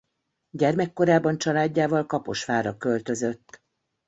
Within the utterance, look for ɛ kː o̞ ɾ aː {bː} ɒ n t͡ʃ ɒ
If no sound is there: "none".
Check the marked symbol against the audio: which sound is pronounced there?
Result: b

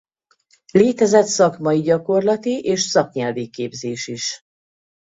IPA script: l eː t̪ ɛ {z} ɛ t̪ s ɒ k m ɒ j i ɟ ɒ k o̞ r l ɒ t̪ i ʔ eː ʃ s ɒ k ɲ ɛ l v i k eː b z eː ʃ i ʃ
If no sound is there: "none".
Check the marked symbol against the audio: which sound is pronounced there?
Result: z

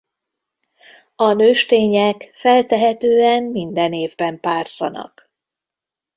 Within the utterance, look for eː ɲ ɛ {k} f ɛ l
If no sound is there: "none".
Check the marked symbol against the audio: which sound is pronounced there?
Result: k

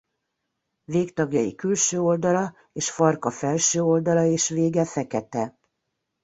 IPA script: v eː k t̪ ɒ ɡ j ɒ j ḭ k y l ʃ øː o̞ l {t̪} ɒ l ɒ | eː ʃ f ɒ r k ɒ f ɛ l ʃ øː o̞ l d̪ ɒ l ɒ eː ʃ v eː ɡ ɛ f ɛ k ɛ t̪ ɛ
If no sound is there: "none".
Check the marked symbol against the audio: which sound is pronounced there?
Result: d̪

